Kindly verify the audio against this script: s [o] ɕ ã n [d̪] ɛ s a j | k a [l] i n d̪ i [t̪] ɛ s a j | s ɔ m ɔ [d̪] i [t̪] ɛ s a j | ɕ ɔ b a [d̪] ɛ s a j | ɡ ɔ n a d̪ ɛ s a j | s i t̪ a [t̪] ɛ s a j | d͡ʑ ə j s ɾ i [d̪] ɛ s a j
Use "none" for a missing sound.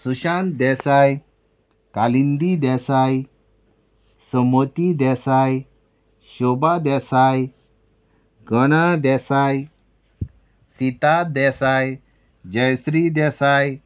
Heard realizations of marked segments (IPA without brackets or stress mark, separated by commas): u, d̪, l, d̪, t̪, d̪, d̪, d̪, d̪